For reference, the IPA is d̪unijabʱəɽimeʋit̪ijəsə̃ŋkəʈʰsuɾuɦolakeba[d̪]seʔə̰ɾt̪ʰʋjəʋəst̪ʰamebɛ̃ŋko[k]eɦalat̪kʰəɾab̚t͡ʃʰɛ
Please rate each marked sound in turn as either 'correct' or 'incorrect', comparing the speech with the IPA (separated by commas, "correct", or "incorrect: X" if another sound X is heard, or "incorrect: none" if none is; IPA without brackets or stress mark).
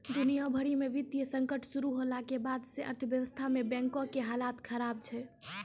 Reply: correct, correct